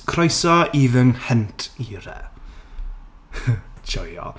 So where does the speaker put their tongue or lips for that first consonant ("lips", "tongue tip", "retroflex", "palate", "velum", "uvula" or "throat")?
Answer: velum